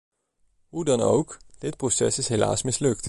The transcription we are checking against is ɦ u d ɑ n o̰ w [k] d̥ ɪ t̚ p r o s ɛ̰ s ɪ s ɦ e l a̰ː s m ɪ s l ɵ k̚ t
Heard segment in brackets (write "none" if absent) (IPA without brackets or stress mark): k